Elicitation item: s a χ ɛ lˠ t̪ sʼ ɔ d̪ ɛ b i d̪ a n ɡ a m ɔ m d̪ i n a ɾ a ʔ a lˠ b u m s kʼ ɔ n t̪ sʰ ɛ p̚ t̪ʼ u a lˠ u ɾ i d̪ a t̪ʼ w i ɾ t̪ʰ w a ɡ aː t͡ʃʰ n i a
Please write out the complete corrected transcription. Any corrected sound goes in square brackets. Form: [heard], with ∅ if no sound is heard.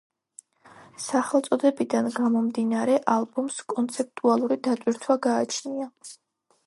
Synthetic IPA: s a χ ɛ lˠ t̪ sʼ ɔ d̪ ɛ b i d̪ a n ɡ a m ɔ m d̪ i n a ɾ [ɛ] ʔ a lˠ b u m s kʼ ɔ n t̪ sʰ ɛ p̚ t̪ʼ u a lˠ u ɾ i d̪ a t̪ʼ w i ɾ t̪ʰ w a ɡ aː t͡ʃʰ n i a

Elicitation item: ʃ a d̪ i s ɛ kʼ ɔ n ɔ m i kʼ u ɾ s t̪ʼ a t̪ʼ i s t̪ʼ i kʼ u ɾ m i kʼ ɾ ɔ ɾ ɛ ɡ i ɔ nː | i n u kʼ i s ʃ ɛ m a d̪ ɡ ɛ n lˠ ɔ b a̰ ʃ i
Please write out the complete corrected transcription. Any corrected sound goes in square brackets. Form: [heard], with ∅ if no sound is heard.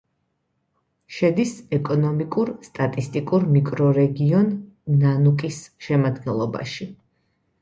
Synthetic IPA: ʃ [ɛ] d̪ i s ɛ kʼ ɔ n ɔ m i kʼ u ɾ s t̪ʼ a t̪ʼ i s t̪ʼ i kʼ u ɾ m i kʼ ɾ ɔ ɾ ɛ ɡ i ɔ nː | [a] n u kʼ i s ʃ ɛ m a d̪ ɡ ɛ n lˠ ɔ b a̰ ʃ i

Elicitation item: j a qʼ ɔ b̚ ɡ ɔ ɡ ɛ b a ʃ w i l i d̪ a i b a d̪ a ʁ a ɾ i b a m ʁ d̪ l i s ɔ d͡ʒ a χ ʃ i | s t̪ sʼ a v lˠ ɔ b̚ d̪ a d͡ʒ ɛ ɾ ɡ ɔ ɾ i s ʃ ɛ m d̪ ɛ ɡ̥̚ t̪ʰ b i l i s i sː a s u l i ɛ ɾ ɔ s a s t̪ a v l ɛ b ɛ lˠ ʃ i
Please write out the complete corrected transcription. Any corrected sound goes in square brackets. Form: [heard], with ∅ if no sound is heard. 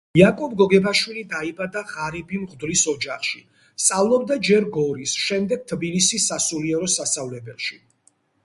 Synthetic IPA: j a [kʼ] ɔ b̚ ɡ ɔ ɡ ɛ b a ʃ w i l i d̪ a i b a d̪ a ʁ a ɾ i b [i] m ʁ d̪ l i s ɔ d͡ʒ a χ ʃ i | s t̪ sʼ a v lˠ ɔ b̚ d̪ a d͡ʒ ɛ ɾ ɡ ɔ ɾ i s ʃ ɛ m d̪ ɛ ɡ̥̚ t̪ʰ b i l i s i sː a s u l i ɛ ɾ ɔ s a s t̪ a v l ɛ b ɛ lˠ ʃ i

